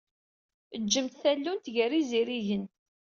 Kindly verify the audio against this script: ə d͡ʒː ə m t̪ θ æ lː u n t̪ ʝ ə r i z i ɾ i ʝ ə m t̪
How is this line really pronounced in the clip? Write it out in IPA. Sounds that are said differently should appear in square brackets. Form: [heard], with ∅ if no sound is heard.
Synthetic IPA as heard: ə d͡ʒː ə m t̪ θ æ lː u n t̪ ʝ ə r i z i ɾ i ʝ ə [n] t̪

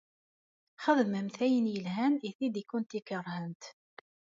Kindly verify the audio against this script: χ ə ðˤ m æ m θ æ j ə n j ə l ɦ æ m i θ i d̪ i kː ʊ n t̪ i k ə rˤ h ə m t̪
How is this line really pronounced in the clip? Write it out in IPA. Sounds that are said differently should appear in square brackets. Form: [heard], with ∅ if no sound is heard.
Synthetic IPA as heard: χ ə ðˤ m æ m θ æ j ə n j ə l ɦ æ [n] i θ i d̪ i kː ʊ n t̪ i k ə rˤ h ə [n] t̪

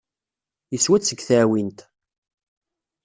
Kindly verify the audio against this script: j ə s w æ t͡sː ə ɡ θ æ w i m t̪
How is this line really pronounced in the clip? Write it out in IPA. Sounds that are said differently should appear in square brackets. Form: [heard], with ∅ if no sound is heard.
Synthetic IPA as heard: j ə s w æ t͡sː ə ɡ θ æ w i [n] t̪

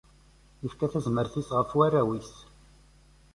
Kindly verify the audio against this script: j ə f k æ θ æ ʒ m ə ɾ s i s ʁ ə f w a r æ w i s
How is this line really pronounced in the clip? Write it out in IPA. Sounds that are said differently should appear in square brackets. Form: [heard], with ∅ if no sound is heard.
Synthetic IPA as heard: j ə f k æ θ æ [z] m ə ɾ [θ] i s ʁ ə f w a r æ w i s

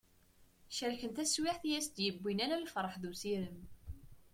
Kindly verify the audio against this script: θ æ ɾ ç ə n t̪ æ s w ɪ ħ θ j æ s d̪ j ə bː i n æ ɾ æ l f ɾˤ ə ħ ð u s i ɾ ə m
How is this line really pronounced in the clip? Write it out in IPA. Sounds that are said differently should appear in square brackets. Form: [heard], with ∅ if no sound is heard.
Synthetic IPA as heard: [ʃ] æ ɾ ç ə n t̪ æ s w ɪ ħ θ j æ s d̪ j ə bː i n æ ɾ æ l f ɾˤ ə ħ ð u s i ɾ ə m

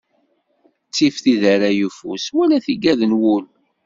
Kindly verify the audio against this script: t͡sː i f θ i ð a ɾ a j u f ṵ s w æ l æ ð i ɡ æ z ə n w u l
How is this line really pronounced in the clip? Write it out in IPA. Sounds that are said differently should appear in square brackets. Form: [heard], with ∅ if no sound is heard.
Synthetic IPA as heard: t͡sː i f θ i ð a ɾ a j u f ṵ s w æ l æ [θ] i ɡ æ [ð] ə n w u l

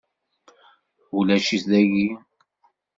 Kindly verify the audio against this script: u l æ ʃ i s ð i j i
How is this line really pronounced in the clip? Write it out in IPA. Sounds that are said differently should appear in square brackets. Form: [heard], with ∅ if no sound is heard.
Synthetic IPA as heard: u l æ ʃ i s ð [æ] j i

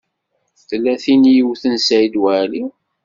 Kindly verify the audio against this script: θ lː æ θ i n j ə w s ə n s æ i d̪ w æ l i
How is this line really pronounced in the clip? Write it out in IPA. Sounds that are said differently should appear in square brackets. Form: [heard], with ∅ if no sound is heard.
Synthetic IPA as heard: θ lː æ θ i n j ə w [θ] ə n s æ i d̪ w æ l i

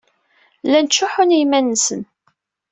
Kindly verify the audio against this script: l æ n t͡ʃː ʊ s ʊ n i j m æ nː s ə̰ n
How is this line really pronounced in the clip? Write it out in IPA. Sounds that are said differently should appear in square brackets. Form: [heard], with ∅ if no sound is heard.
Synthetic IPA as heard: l æ n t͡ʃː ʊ [ħ] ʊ n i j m æ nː s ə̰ n

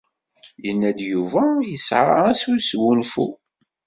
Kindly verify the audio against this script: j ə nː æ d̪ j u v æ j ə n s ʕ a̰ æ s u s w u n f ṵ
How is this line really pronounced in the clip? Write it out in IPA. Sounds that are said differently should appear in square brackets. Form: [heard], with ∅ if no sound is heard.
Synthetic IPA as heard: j ə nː æ d̪ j u v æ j ə [∅] s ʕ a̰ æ s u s w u n f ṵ

